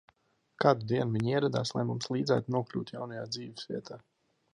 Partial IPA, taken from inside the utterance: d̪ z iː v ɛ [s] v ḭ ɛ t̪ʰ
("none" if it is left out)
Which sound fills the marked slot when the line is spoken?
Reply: s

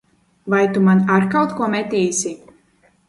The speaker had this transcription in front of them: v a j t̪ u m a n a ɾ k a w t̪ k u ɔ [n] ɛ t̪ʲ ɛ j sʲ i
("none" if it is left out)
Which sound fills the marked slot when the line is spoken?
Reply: m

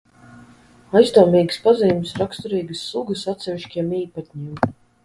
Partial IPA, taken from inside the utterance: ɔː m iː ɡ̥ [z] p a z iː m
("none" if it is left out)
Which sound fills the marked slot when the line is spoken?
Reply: s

